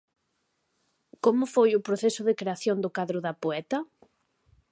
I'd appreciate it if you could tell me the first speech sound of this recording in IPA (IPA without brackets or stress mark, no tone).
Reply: k